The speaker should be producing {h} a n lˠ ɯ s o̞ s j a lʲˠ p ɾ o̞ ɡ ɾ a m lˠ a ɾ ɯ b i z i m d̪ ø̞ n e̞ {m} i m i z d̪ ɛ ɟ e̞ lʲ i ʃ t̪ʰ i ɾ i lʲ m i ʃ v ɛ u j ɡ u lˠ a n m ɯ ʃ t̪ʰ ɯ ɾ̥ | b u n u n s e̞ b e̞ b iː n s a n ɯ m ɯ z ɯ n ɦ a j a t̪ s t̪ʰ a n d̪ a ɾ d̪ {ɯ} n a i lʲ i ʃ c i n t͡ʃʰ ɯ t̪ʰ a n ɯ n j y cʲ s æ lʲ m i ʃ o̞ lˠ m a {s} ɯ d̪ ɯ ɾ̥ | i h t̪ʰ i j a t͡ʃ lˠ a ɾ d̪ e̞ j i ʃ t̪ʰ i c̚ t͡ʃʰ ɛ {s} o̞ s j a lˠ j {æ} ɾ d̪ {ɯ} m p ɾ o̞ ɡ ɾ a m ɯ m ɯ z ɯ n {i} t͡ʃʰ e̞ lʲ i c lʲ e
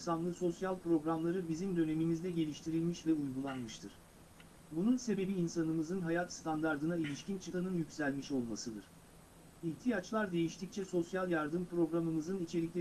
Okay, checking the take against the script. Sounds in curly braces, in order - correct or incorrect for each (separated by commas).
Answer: incorrect, correct, correct, correct, correct, incorrect, correct, correct